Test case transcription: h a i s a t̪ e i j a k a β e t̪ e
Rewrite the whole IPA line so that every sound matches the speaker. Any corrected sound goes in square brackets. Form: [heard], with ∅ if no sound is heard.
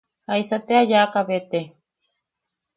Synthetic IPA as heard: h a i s a t̪ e [a] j a k a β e t̪ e